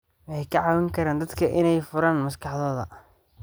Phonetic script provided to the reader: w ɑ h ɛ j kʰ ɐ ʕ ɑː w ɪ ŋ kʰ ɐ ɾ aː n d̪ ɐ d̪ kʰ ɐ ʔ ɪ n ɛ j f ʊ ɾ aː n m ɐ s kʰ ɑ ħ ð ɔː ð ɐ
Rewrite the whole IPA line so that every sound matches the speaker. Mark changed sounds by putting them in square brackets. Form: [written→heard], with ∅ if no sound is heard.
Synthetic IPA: w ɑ [h→ħ] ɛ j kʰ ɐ ʕ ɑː w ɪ ŋ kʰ ɐ ɾ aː n d̪ ɐ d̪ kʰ ɐ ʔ ɪ n ɛ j f ʊ ɾ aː n m ɐ s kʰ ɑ ħ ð ɔː ð ɐ